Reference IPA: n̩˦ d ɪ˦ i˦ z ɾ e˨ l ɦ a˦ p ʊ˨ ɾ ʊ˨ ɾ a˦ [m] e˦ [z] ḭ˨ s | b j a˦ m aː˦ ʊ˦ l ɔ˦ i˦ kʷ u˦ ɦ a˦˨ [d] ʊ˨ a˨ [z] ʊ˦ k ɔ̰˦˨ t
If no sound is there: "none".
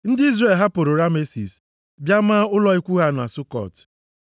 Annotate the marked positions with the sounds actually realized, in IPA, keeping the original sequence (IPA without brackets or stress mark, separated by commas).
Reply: m, s, n, s